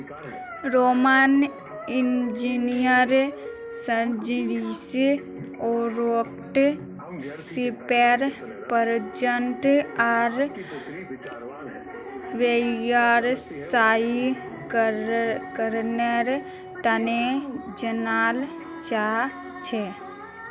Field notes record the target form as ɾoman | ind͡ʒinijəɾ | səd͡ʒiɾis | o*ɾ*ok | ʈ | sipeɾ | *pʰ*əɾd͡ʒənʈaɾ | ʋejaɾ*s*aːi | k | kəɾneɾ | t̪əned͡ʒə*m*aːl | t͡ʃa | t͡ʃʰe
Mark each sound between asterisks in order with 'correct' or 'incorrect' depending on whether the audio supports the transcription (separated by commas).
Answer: correct, incorrect, correct, incorrect